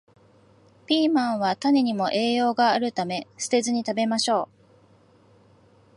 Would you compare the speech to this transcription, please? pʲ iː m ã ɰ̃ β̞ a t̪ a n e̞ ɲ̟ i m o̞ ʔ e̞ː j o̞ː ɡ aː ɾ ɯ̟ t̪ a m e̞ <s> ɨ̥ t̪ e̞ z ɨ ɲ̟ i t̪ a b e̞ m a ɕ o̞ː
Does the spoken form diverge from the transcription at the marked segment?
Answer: no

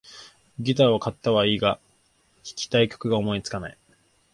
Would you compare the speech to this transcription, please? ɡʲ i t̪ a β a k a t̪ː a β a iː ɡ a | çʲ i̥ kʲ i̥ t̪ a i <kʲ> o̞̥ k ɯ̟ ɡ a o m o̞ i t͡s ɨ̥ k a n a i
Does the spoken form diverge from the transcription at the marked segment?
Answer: no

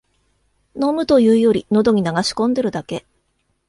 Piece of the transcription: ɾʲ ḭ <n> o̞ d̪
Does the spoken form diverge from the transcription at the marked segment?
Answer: no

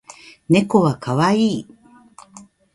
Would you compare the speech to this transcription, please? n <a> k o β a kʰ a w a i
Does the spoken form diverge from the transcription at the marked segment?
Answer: yes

